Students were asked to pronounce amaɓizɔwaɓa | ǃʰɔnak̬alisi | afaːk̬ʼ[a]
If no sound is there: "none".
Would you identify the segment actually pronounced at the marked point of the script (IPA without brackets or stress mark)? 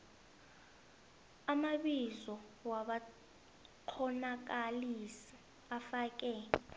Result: ɛ